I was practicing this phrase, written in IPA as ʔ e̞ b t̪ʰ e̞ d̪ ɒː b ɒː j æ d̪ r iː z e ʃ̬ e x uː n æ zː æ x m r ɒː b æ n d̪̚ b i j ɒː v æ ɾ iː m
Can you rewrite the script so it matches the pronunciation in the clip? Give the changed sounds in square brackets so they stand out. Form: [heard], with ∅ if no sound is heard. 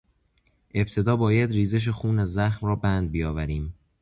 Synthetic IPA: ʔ e̞ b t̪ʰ e̞ d̪ ɒː b ɒː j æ d̪ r iː z e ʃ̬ e x uː n æ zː æ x m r ɒː b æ n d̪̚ b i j ɒː v æ ɾ iː m